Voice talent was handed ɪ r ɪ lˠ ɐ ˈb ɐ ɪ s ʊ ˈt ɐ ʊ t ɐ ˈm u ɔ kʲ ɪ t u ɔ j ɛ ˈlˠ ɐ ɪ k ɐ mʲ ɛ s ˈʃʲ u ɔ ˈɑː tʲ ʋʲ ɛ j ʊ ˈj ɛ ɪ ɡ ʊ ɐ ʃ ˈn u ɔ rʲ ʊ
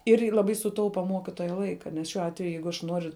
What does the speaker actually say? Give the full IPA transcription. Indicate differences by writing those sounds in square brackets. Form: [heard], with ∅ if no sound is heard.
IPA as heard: ɪ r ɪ lˠ ɐ ˈb ɐ ɪ s ʊ ˈt ɐ ʊ [p] ɐ ˈm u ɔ kʲ ɪ t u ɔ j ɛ ˈlˠ ɐ ɪ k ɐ [nʲ] ɛ s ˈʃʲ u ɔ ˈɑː tʲ ʋʲ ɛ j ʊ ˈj ɛ ɪ ɡ ʊ ɐ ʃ ˈn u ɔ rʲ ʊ